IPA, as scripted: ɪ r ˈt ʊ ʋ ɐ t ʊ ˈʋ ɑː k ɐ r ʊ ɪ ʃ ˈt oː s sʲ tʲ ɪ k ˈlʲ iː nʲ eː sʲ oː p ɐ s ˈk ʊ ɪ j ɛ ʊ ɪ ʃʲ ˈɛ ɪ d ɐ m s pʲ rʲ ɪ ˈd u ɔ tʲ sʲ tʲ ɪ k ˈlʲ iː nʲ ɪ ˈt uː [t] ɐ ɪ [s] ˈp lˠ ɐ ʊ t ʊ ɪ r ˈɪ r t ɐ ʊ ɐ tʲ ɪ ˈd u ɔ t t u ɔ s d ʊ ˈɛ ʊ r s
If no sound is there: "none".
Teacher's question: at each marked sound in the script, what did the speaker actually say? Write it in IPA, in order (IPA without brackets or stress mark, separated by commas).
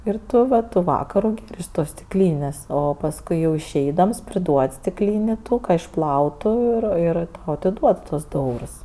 k, ʃ